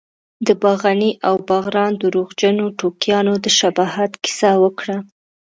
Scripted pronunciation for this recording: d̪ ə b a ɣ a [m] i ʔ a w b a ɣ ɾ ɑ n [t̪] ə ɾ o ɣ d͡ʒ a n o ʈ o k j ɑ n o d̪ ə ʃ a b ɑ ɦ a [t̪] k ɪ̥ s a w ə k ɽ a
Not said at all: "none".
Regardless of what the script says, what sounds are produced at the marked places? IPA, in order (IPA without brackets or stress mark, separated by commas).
n, d̪, t̪